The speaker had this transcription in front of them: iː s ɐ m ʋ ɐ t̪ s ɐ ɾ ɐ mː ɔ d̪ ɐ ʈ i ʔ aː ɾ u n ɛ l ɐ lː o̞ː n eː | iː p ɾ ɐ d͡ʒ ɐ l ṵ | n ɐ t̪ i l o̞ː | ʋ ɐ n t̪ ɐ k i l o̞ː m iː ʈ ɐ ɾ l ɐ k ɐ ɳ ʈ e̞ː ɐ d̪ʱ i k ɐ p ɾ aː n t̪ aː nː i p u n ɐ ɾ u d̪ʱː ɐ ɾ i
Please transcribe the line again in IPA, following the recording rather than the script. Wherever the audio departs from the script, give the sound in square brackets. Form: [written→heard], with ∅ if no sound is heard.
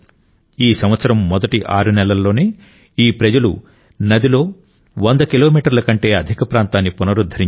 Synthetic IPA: iː s ɐ m ʋ ɐ t̪ s ɐ ɾ ɐ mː ɔ d̪ ɐ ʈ i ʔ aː ɾ u n ɛ l ɐ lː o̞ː n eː | iː p ɾ ɐ d͡ʒ ɐ l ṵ | n ɐ [t̪→d̪] i l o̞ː | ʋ ɐ n [t̪→d̪] ɐ k i l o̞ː m iː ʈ ɐ ɾ l ɐ k ɐ ɳ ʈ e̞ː ɐ d̪ʱ i k ɐ p ɾ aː n t̪ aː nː i p u n ɐ ɾ u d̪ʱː ɐ ɾ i

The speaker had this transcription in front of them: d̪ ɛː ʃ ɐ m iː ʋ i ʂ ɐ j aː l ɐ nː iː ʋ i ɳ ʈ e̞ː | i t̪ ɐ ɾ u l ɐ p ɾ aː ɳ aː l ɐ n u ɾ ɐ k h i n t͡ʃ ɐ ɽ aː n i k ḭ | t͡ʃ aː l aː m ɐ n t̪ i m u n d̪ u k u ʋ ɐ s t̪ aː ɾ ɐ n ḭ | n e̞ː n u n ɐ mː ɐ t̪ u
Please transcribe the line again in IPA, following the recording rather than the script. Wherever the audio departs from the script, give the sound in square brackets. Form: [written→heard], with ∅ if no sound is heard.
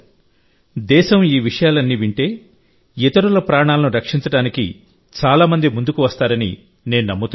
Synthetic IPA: d̪ ɛː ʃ ɐ m iː ʋ i ʂ ɐ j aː l ɐ nː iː ʋ i ɳ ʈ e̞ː | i t̪ ɐ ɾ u l ɐ p ɾ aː ɳ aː l ɐ n u ɾ ɐ k [h→ʂ] i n t͡ʃ ɐ ɽ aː n i k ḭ | t͡ʃ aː l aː m ɐ n [t̪→d̪] i m u n d̪ u k u ʋ ɐ s t̪ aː ɾ ɐ n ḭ | n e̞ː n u n ɐ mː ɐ t̪ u

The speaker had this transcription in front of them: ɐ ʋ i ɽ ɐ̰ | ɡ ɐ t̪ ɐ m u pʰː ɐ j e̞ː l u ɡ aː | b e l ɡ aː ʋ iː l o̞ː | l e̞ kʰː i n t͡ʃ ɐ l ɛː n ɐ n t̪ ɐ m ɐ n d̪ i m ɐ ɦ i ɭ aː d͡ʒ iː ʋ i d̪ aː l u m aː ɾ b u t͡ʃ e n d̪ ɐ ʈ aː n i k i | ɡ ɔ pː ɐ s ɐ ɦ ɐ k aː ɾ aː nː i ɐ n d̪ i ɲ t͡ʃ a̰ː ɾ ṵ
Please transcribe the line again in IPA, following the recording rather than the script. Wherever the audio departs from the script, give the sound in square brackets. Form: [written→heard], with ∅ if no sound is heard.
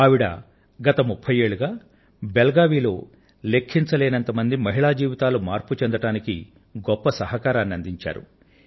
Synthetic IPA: ɐ ʋ i ɽ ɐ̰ | ɡ ɐ t̪ ɐ m u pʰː ɐ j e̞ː [l→ɭ] u ɡ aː | b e l ɡ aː ʋ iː l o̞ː | l e̞ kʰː i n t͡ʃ ɐ l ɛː n ɐ n t̪ ɐ m ɐ n d̪ i m ɐ ɦ i ɭ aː d͡ʒ iː ʋ i [d̪→t̪] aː l u m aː ɾ [b→p] u t͡ʃ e n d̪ ɐ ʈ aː n i k i | ɡ ɔ pː ɐ s ɐ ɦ ɐ k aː ɾ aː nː i ɐ n d̪ i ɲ t͡ʃ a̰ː ɾ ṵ

